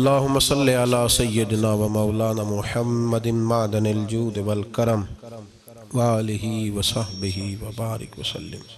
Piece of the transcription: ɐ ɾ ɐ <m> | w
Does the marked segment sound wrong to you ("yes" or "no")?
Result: no